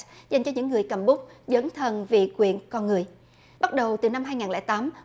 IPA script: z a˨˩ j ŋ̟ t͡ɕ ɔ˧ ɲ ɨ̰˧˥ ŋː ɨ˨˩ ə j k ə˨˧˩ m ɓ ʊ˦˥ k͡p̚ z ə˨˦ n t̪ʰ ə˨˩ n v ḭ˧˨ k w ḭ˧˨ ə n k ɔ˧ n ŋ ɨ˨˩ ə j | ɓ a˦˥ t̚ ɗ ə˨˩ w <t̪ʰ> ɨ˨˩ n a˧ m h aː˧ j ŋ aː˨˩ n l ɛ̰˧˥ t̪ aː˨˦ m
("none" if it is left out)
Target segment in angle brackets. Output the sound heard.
t̪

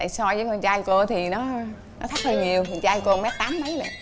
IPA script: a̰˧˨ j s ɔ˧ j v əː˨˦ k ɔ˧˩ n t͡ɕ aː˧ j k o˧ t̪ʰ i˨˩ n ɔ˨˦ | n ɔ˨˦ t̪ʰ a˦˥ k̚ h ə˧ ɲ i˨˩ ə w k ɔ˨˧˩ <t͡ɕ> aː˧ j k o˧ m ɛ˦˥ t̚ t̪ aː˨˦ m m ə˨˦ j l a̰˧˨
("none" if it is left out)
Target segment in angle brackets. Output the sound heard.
t͡ɕ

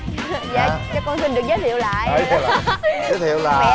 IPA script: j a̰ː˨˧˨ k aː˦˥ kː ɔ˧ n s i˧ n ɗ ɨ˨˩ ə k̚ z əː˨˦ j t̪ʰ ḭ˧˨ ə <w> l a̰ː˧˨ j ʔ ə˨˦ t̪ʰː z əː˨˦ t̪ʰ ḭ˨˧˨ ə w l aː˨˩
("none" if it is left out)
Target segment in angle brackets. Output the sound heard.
w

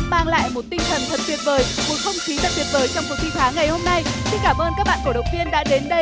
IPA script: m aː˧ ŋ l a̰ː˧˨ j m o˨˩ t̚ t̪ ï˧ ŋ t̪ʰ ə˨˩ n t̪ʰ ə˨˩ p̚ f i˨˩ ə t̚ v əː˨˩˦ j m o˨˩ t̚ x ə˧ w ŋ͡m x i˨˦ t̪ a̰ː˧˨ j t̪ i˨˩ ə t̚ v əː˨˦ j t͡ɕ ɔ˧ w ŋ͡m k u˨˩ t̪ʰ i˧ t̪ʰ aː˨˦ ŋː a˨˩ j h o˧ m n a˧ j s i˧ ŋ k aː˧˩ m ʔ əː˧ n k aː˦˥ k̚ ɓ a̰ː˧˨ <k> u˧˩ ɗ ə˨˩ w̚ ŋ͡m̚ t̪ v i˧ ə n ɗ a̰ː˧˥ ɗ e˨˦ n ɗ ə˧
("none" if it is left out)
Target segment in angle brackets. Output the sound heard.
k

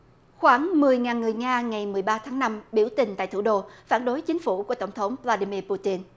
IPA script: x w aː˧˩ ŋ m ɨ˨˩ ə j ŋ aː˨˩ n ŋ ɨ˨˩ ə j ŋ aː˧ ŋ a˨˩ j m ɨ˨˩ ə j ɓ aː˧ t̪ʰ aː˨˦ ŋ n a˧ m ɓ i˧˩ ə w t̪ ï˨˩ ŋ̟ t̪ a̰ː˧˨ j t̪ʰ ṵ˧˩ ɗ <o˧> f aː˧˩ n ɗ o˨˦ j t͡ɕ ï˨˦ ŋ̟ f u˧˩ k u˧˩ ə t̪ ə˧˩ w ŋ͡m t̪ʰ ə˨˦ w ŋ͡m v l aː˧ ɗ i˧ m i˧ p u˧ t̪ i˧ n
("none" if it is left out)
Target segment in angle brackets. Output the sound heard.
o˧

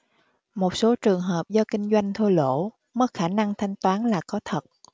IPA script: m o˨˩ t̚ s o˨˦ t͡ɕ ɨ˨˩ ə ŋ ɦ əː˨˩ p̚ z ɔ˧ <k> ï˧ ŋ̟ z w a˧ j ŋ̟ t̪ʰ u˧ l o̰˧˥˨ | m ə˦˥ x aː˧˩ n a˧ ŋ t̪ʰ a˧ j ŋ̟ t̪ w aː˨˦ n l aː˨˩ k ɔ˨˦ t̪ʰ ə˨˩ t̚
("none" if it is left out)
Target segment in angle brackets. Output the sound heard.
k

